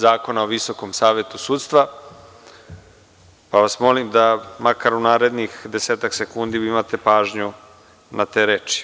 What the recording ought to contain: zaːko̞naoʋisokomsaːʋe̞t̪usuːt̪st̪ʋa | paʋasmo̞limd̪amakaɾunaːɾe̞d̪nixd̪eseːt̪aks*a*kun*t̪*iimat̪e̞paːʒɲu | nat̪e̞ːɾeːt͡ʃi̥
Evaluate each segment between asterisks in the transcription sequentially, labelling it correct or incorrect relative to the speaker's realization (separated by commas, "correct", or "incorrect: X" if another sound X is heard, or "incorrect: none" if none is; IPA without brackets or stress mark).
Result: incorrect: e, incorrect: d̪